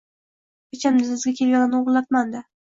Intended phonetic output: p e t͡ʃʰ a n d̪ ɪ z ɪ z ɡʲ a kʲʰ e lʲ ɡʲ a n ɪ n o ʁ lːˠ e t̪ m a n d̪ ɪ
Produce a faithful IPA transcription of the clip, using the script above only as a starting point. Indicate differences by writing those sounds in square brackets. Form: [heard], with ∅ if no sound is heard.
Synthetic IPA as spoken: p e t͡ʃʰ a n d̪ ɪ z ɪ z ɡʲ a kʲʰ e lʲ ɡʲ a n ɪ n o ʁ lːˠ [a] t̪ m a n d̪ ɪ